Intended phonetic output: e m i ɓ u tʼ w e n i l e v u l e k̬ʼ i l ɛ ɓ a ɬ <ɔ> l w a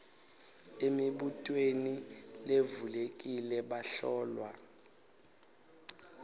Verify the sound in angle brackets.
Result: incorrect: ɔː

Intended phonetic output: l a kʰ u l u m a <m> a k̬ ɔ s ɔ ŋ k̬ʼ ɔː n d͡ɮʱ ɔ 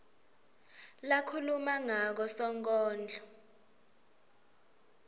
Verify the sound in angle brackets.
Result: incorrect: ŋ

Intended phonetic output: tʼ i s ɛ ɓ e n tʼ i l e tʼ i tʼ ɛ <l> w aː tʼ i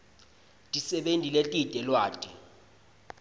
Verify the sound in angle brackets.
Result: correct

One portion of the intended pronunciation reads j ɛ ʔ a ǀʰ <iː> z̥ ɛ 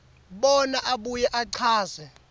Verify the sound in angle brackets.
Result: incorrect: aː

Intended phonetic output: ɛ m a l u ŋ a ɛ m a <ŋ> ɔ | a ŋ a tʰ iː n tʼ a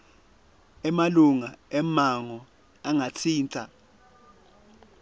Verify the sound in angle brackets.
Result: correct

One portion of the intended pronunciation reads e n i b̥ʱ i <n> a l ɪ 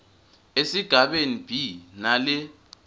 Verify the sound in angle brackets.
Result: correct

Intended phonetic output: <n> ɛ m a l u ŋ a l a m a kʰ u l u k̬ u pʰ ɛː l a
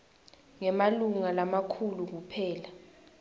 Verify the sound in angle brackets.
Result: incorrect: ŋ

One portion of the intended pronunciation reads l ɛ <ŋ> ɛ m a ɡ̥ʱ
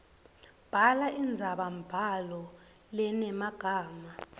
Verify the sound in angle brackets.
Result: incorrect: n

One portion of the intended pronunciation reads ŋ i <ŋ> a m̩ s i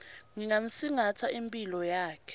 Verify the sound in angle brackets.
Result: correct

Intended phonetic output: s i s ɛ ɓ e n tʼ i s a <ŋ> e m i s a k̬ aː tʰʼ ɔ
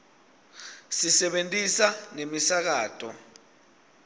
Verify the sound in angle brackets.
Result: incorrect: n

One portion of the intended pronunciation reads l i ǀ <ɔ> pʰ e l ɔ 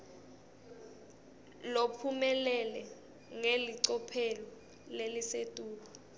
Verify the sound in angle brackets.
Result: correct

